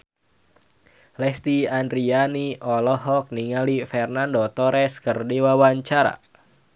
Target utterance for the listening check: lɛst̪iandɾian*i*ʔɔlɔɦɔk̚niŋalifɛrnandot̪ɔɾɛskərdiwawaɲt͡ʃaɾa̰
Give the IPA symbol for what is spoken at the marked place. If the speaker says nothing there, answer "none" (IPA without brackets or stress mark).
i